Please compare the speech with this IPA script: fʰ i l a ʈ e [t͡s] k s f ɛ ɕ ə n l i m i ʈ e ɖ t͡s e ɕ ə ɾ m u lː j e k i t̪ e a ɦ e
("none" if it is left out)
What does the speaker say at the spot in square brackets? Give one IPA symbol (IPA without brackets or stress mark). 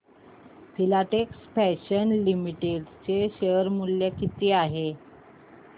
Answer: none